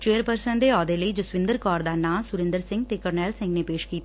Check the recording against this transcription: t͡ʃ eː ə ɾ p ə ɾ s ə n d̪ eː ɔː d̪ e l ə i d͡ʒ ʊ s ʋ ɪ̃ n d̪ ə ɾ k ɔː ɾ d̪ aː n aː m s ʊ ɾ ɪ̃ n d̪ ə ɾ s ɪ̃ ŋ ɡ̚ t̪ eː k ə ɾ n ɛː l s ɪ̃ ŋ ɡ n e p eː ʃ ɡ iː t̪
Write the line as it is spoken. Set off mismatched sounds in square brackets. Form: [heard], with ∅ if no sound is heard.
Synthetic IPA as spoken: t͡ʃ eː ə ɾ p ə ɾ s ə n d̪ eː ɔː d̪ e l ə i d͡ʒ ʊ s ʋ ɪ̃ n d̪ ə ɾ k ɔː ɾ d̪ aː n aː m s ʊ ɾ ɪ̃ n d̪ ə ɾ s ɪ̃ ŋ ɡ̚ t̪ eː k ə ɾ n ɛː l s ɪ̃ ŋ ɡ n e p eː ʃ [k] iː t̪